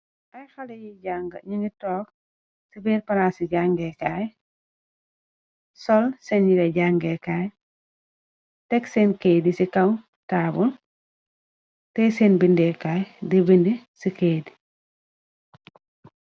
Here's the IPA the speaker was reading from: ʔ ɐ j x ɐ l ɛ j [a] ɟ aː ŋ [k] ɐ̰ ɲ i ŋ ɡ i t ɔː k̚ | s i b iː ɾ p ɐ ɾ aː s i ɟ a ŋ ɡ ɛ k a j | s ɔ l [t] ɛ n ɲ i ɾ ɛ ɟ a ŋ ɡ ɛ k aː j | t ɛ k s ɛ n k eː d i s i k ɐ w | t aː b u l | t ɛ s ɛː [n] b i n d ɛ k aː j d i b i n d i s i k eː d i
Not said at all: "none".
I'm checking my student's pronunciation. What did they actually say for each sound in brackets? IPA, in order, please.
i, ɡ, s, n

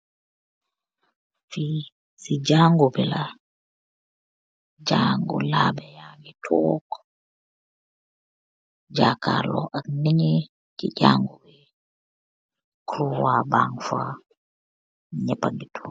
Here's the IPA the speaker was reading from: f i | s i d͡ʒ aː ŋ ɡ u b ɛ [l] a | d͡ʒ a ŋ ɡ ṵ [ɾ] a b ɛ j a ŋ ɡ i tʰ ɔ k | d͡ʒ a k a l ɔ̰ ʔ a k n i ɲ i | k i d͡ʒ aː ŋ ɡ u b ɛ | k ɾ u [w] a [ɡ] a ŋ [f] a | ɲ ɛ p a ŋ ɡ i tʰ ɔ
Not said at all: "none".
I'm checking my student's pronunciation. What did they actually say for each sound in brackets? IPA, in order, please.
l, l, w, b, f

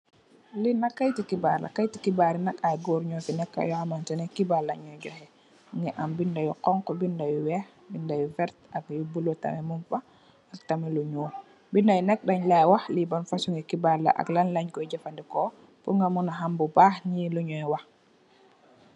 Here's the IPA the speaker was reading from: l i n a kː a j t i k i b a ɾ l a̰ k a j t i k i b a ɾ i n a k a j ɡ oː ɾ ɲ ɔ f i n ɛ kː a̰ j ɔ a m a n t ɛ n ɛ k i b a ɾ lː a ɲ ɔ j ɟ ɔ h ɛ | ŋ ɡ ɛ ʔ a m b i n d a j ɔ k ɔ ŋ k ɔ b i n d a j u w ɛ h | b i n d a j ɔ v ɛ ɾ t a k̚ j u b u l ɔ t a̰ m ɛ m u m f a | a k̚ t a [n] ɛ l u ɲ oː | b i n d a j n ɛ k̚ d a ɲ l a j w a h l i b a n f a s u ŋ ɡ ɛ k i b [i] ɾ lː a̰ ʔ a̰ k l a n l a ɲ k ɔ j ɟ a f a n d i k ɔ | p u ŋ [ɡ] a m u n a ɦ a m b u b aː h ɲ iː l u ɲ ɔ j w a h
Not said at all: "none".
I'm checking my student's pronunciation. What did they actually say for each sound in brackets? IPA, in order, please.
m, a, ɡ

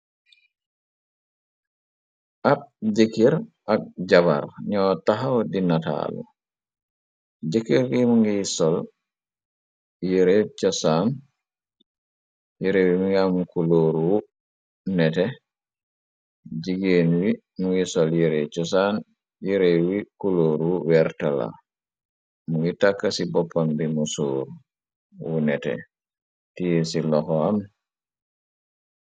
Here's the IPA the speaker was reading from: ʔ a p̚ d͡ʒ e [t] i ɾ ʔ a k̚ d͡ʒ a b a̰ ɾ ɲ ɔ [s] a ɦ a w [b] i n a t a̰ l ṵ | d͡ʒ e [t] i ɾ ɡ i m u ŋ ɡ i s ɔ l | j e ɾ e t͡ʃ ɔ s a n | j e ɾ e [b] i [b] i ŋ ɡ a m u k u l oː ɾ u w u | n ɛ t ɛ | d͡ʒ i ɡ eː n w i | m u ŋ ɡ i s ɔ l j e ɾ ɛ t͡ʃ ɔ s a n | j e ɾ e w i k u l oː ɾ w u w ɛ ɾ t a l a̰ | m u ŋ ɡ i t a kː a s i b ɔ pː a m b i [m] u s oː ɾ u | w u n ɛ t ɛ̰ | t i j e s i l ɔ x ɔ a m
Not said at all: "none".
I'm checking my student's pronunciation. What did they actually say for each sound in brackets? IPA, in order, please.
k, t, d, k, w, m, m

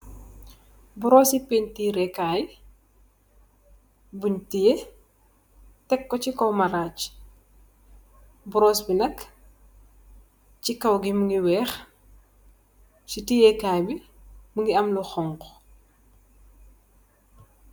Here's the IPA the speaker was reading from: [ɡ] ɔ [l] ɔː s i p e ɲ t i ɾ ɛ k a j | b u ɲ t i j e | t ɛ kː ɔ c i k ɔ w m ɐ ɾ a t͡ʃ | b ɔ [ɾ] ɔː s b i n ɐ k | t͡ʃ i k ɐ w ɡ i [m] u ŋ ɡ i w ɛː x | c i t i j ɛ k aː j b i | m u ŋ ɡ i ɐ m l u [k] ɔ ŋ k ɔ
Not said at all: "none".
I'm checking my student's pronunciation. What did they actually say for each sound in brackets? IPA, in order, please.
b, ɾ, ɾ, m, x

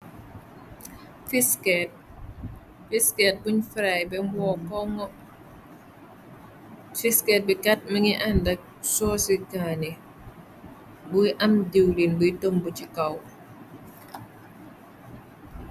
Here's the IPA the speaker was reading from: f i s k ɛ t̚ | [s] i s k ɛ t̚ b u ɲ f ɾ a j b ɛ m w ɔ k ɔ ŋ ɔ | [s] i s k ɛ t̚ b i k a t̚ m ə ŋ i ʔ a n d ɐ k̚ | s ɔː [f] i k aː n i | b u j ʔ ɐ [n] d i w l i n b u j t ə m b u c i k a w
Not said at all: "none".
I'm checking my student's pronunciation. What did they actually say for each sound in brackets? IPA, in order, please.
f, f, s, m

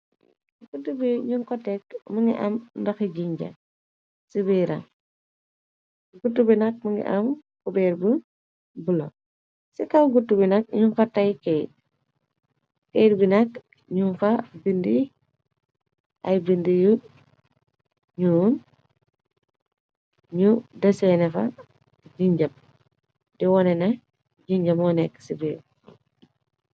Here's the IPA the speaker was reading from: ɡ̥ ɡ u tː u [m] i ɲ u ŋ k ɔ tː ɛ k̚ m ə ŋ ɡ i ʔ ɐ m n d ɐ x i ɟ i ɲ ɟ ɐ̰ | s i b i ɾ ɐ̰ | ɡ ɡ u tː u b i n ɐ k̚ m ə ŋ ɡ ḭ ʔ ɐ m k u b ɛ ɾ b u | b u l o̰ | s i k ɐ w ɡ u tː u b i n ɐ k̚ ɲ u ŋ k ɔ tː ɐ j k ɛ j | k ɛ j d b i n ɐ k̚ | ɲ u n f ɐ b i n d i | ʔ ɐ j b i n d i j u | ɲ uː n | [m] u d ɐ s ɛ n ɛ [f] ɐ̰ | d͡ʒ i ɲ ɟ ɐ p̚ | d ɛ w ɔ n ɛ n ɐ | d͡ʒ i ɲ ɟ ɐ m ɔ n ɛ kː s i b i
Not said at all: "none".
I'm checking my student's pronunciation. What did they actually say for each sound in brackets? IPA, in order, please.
b, ɲ, f

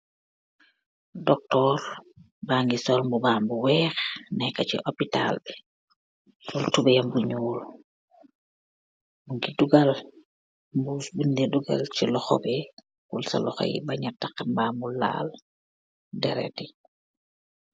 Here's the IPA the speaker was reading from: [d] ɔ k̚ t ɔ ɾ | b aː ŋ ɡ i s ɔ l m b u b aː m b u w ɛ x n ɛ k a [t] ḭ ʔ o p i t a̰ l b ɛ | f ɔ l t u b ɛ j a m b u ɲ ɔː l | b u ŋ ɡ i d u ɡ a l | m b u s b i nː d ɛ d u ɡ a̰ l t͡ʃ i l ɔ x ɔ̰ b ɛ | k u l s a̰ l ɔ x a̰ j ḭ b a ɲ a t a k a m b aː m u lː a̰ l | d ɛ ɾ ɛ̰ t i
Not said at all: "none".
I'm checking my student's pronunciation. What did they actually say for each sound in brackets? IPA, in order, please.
d, t͡ʃ

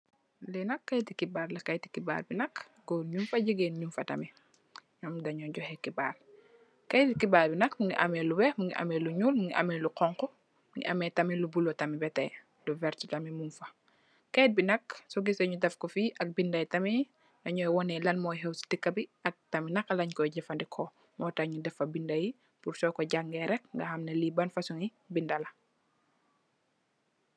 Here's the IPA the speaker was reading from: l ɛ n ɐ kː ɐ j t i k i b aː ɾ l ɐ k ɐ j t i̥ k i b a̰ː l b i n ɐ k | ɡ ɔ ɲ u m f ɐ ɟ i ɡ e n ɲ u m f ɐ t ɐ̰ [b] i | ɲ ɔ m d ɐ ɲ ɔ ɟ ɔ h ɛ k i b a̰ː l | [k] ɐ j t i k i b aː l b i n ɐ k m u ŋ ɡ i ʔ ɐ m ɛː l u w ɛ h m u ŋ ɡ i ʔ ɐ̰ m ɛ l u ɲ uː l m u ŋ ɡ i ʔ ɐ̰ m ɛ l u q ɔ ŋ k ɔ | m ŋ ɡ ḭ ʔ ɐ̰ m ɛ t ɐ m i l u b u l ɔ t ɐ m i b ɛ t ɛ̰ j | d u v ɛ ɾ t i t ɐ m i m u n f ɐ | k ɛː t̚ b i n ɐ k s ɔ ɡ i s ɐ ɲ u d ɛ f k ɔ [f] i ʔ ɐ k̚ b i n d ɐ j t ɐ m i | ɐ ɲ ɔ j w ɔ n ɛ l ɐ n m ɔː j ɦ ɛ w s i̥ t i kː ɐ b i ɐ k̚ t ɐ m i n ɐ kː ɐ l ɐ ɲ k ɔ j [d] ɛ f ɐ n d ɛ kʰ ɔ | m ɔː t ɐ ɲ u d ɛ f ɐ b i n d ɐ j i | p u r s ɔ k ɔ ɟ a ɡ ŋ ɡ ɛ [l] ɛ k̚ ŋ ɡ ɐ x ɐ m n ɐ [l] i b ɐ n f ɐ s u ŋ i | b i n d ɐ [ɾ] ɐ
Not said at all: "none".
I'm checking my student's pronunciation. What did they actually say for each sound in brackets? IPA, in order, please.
m, k, f, ɟ, ɾ, l, l

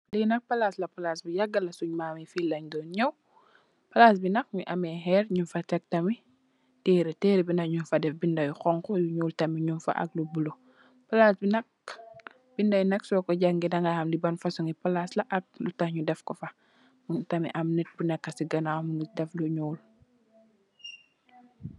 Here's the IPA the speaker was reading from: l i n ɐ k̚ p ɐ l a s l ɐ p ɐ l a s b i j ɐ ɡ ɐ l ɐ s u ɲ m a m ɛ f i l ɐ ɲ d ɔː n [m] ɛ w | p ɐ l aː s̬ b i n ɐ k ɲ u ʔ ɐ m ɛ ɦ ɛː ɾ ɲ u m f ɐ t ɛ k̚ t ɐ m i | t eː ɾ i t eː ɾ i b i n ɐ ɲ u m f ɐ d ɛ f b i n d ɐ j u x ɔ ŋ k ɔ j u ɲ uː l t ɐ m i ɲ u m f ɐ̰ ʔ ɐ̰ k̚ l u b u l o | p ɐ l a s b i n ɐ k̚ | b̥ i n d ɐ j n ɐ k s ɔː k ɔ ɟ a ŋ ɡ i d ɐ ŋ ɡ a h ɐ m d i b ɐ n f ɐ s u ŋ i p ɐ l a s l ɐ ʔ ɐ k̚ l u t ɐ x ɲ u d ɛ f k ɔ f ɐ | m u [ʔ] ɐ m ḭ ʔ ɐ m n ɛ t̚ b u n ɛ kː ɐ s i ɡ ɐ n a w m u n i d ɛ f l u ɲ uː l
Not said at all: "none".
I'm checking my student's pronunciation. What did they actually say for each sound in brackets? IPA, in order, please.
ɲ, t

